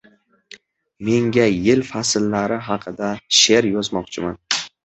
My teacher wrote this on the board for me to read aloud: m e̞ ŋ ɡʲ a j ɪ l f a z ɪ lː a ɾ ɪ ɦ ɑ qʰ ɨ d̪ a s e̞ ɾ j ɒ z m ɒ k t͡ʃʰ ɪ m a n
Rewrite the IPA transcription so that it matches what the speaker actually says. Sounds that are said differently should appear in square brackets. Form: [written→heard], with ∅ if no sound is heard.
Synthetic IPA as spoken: m e̞ ŋ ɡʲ a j ɪ l f a [z→s] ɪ lː a ɾ ɪ ɦ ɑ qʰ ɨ d̪ a [s→ʃ] e̞ ɾ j ɒ z m ɒ [k→q] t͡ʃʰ ɪ m a n

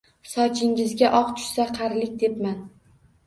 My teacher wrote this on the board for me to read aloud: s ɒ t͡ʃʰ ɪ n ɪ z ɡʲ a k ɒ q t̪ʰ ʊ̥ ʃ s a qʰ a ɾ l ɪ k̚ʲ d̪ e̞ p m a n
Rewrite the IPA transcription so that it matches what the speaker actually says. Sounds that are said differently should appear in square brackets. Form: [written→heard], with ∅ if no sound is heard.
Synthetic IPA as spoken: s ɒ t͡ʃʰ ɪ [n→ŋ] ɪ z ɡʲ a [k→ʔ] ɒ q t̪ʰ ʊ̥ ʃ s a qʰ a ɾ l ɪ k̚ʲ d̪ e̞ p m a n

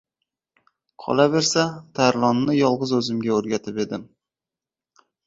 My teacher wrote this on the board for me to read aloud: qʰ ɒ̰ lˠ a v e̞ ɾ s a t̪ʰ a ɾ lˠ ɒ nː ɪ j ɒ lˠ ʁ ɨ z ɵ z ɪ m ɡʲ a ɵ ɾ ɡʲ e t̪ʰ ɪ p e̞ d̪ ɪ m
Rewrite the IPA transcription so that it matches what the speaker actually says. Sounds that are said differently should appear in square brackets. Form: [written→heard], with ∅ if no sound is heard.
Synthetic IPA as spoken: qʰ ɒ̰ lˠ a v e̞ ɾ s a t̪ʰ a ɾ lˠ ɒ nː ɪ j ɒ lˠ ʁ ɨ z ɵ z ɪ m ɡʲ a ɵ ɾ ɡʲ [e→a] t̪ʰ ɪ p e̞ d̪ ɪ m

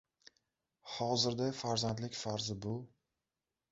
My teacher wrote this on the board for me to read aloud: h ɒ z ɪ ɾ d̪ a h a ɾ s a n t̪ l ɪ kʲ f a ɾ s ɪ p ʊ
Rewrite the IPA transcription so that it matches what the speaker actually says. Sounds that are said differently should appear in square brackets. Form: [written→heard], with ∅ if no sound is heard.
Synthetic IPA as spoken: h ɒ z ɪ ɾ d̪ a [h→f] a ɾ [s→z] a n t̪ l ɪ kʲ f a ɾ [s→z] ɪ [p→b] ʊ

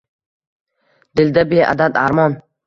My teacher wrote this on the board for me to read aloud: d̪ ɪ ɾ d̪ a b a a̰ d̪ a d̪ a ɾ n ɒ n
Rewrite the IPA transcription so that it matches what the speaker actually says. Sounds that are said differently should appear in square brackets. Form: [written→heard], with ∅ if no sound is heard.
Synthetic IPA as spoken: d̪ ɪ [ɾ→l] d̪ a b [a→e] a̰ d̪ a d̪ a ɾ [n→m] ɒ n

